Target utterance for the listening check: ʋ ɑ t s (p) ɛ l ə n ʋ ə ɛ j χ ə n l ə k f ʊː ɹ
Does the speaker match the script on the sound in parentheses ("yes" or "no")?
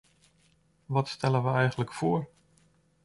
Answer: no